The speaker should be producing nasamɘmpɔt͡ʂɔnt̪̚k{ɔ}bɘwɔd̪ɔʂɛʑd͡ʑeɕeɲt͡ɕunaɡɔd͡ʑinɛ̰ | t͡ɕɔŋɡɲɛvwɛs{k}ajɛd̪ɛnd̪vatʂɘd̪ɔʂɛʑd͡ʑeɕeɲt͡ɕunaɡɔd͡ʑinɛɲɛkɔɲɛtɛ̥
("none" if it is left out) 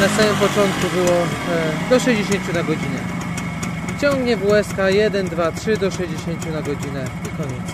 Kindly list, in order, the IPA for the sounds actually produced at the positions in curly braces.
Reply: u, k

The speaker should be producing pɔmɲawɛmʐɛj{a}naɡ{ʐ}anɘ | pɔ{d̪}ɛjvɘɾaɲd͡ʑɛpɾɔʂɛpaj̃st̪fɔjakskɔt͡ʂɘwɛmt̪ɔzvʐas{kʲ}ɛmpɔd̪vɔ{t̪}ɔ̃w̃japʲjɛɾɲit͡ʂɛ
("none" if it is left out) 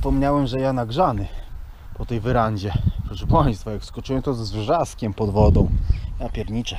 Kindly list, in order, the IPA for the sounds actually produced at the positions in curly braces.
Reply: a, ʐ, t̪, kʲ, d̪

